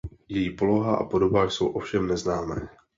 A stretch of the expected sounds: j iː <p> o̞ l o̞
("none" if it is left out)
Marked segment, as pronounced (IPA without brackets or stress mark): p